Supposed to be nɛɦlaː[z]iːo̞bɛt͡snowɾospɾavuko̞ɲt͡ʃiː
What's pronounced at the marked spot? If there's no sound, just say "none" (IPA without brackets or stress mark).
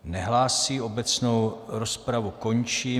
s